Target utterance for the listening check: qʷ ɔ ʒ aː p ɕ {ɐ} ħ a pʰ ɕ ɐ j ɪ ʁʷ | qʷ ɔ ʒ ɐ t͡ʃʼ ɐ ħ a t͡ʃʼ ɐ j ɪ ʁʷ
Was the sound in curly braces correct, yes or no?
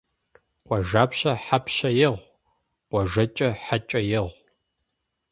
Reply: yes